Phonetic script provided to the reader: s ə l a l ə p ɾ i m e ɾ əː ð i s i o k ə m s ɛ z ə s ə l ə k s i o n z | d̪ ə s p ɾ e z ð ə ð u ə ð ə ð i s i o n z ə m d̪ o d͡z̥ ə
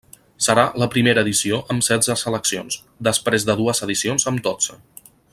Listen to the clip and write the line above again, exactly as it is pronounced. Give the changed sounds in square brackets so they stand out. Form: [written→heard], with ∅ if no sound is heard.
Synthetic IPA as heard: s ə [l→ɾ] a l ə p ɾ i m e ɾ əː ð i s i o [k→ʔ] ə m s ɛ z ə s ə l ə k s i o n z | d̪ ə s p ɾ e z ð ə ð u ə [ð→z] ə ð i s i o n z ə m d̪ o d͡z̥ ə